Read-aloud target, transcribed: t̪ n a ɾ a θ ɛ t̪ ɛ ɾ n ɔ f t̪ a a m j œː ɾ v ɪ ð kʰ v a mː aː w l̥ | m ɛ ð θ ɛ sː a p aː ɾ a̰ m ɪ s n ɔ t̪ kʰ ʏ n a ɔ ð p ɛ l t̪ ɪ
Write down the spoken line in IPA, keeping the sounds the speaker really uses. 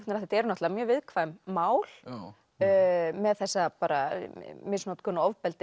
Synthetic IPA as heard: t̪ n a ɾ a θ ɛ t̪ ɛ ɾ n ɔ h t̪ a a m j œː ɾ v ɪ ð kʰ v a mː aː w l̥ | m ɛ ð θ ɛ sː a p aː ɾ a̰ m ɪ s n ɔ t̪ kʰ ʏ n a ɔ v p ɛ l t̪ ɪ